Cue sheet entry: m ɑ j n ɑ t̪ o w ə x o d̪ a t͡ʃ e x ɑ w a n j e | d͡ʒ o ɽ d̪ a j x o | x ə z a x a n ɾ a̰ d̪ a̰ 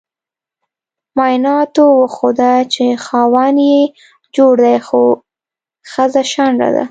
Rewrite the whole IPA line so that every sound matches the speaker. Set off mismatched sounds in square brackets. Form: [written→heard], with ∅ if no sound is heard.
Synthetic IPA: m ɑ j n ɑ t̪ o w ə x o d̪ a t͡ʃ e x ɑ w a n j e | d͡ʒ o ɽ d̪ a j x o | x ə z a [x→ʃ] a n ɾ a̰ d̪ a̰